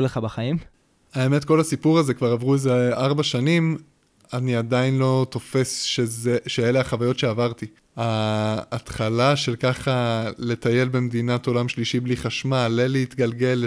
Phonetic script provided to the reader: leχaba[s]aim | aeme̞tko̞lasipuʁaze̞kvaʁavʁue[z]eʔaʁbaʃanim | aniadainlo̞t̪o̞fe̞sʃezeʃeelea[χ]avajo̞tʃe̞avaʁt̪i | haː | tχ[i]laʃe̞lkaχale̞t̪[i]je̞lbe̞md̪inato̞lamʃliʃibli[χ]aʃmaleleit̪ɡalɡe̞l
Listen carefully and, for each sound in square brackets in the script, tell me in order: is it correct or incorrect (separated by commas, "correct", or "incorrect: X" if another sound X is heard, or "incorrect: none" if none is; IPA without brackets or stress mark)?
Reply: incorrect: χ, correct, correct, incorrect: a, incorrect: a, correct